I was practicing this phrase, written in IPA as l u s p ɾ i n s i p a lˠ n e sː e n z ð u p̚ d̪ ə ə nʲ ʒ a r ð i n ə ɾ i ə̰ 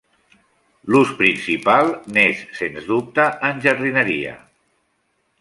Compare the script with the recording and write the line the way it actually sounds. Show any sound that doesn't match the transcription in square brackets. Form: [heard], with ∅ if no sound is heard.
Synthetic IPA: l u s p ɾ i n s i p a lˠ n e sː e n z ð u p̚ [t̪] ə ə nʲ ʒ [ə] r ð i n ə ɾ i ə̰

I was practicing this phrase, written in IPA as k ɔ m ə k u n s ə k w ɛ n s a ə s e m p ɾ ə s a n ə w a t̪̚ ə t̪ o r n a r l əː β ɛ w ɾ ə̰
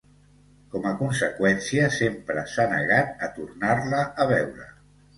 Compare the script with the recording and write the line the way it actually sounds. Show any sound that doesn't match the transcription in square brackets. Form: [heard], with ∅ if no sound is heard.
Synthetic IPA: k ɔ m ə k u n s ə k w ɛ n s [i] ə s e m p ɾ ə s a n ə [ɣ] a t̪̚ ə t̪ [u] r n a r l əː β ɛ w ɾ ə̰

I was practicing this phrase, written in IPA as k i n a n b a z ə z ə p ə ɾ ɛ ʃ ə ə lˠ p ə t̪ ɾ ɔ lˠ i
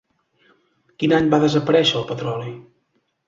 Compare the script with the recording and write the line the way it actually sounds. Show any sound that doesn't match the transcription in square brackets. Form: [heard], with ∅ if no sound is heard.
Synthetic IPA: k i n a [ɲ] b a [ð] ə z ə p ə ɾ ɛ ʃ ə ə lˠ p ə t̪ ɾ ɔ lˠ i

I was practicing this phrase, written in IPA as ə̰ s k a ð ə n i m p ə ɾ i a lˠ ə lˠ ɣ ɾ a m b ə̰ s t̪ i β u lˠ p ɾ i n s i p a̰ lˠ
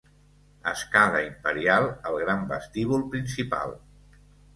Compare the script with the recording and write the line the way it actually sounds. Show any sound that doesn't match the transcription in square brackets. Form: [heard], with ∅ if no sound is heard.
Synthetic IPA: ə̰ s k a ð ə [∅] i m p ə ɾ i a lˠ ə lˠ ɣ ɾ a m b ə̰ s t̪ i β u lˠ p ɾ i n s i p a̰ lˠ

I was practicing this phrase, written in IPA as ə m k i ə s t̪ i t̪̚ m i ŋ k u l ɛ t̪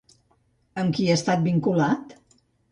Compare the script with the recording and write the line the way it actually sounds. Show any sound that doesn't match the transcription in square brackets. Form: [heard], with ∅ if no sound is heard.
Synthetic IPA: ə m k i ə s t̪ [a] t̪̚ [b] i ŋ k u l [a] t̪

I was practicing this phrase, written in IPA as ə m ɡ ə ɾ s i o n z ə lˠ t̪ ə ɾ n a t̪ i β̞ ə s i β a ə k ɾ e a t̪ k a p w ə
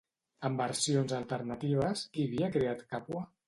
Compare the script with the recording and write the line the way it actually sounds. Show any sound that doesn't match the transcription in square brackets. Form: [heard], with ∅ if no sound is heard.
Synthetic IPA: ə m [b] ə ɾ s i o n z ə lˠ t̪ ə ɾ n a t̪ i β̞ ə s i β [i] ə k ɾ e a t̪ k a p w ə

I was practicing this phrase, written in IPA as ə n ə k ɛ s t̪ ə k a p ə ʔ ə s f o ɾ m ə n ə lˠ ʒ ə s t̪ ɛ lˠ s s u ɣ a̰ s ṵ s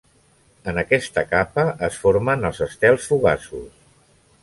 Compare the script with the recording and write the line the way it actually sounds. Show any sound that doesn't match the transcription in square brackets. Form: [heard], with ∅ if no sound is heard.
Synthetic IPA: ə n ə k ɛ s t̪ ə k a p ə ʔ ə s f o ɾ m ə n ə lˠ [z] ə s t̪ ɛ lˠ s [f] u ɣ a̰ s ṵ s

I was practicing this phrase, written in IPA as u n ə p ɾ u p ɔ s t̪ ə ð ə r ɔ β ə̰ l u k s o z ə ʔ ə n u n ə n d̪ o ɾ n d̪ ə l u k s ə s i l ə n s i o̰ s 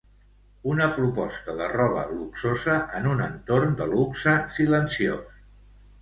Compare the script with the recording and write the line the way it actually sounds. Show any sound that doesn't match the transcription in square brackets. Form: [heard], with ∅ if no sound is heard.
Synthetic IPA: u n ə p ɾ u p ɔ s t̪ ə ð ə r ɔ β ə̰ l u k s o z ə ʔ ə n u n ə n [t̪] o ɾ n d̪ ə l u k s ə s i l ə n s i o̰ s

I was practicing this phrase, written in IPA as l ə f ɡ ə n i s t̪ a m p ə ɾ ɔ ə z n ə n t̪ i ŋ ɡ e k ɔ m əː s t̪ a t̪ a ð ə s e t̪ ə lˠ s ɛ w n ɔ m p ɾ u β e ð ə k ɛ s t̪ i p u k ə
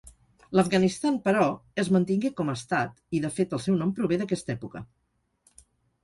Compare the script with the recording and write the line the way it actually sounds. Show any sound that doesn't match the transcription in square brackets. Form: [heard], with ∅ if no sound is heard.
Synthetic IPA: l ə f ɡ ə n i s t̪ a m p ə ɾ ɔ ə z [m] ə n t̪ i ŋ ɡ e k ɔ m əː s t̪ a t̪ [i] ð ə [f] e t̪ ə lˠ s ɛ w n ɔ m p ɾ u β e ð ə k ɛ s t̪ [ɛ] p u k ə

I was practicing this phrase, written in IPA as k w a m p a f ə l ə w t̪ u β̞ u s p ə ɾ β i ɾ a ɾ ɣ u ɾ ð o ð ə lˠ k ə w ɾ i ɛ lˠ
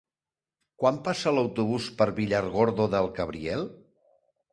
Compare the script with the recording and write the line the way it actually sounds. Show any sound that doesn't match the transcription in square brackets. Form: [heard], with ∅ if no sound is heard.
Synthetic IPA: k w a m p a [s] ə l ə w t̪ u β̞ u s p ə ɾ β i [ʎ] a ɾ ɣ [o] ɾ ð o ð ə lˠ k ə [β] ɾ i ɛ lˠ

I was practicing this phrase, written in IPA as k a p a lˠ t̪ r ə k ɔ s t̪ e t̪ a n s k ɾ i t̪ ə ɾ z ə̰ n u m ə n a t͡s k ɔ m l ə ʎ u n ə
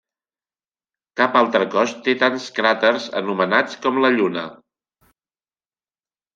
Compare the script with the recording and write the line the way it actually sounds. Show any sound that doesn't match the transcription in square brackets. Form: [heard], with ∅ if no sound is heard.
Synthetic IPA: k a p a lˠ t̪ [ɾ] ə k ɔ s t̪ e t̪ a n s k ɾ [a] t̪ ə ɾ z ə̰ n u m ə n a t͡s k ɔ m l ə ʎ u n ə

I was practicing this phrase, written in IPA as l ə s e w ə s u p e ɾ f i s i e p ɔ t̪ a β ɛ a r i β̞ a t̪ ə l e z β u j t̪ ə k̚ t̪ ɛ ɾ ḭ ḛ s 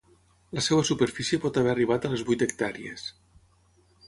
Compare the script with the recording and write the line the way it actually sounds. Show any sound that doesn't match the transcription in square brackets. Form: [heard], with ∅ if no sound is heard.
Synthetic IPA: l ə s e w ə s u p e ɾ f i s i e p ɔ t̪ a β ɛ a r i β̞ a t̪ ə l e z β u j t̪ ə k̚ t̪ [a] ɾ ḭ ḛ s

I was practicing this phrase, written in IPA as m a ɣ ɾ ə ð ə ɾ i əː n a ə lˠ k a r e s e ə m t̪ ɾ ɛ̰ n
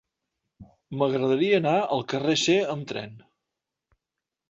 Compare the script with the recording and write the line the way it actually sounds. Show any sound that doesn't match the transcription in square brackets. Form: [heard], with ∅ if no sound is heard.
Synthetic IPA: m [ə] ɣ ɾ ə ð ə ɾ i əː n a ə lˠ k [ə] r e s e ə m t̪ ɾ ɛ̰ n

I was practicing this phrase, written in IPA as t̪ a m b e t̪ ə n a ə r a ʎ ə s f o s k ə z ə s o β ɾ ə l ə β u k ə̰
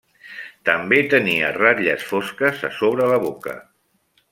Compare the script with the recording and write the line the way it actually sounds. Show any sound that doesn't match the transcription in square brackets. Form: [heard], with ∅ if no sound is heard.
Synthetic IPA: t̪ [ə] m b e t̪ ə n [i] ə r a ʎ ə s f o s k ə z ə s o β ɾ ə l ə β [o] k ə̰

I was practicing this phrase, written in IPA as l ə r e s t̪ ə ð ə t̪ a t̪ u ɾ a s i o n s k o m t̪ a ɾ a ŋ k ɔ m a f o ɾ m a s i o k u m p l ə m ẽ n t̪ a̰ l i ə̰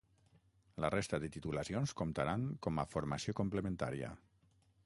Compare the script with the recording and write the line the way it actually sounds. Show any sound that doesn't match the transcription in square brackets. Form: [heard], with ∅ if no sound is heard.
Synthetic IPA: l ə r e s t̪ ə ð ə t̪ [i] t̪ u [l] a s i o n s k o m t̪ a ɾ a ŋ k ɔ m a f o ɾ m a s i o k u m p l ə m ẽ n t̪ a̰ [ɾ] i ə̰

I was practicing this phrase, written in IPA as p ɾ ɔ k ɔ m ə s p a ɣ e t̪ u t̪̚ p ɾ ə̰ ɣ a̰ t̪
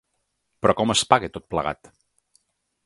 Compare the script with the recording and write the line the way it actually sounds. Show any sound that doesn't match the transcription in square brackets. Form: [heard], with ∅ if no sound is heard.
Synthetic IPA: p ɾ ɔ k ɔ m ə s p a ɣ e t̪ [o] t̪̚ p [l] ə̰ ɣ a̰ t̪

